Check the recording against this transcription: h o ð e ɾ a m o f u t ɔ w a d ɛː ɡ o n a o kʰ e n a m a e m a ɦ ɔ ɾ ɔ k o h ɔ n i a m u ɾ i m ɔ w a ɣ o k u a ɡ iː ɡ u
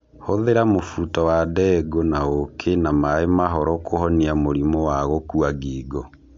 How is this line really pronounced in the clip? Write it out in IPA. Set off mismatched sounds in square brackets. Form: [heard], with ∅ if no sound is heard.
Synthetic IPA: h o ð e ɾ a m o f u t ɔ w a d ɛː ɡ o n a o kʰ e n a m a e m a ɦ ɔ ɾ ɔ k o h ɔ n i a m [o] ɾ i m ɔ w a ɣ o k u a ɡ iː ɡ [ɔ]